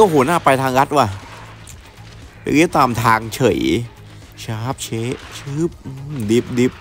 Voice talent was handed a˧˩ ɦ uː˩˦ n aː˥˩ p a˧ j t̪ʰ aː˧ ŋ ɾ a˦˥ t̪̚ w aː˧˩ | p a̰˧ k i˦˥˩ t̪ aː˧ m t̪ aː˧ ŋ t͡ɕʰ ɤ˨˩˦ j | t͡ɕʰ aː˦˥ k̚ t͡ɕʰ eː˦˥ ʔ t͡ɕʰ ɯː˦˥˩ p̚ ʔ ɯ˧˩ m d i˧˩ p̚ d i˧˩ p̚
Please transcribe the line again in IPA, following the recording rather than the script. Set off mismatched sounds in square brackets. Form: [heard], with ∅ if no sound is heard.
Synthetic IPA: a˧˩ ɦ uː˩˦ n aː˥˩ p a˧ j t̪ʰ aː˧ ŋ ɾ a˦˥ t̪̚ w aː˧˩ | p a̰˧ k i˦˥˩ t̪ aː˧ m [t̪ʰ] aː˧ ŋ t͡ɕʰ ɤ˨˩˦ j | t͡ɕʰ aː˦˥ [p̚] t͡ɕʰ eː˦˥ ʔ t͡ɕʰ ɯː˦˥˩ p̚ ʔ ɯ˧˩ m d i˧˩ p̚ d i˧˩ p̚